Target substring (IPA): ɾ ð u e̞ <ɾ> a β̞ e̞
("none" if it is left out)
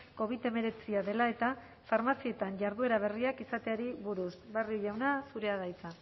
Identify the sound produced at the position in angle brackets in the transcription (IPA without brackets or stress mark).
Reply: ɾ